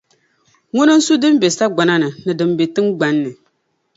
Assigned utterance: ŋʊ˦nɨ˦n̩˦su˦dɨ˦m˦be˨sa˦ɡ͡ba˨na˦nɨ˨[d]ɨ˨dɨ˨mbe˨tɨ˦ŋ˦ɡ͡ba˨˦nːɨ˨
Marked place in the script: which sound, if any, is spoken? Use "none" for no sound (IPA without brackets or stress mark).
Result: n